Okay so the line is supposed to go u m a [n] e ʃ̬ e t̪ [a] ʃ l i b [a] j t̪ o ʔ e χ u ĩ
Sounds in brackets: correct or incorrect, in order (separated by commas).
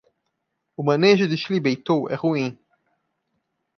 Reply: correct, incorrect, incorrect